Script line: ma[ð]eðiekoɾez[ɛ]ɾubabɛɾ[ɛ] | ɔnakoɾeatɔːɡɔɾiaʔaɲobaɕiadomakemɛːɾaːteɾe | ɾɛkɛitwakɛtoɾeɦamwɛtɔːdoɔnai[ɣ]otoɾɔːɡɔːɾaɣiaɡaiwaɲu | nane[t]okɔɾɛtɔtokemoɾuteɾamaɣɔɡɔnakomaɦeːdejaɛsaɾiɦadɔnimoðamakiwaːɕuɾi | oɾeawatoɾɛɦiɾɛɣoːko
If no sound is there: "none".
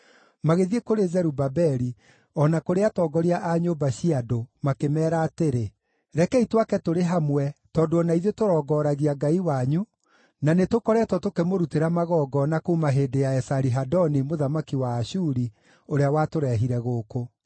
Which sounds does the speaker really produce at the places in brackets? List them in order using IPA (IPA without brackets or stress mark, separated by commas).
ɣ, ɛ, i, ð, t